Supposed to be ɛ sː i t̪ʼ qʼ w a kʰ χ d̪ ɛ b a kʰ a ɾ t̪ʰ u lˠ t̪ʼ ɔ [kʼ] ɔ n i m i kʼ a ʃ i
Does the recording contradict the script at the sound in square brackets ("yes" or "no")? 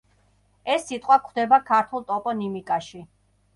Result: yes